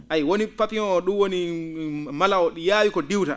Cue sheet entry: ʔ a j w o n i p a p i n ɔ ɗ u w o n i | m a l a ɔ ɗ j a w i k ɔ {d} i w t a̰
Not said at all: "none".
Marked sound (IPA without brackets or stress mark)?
d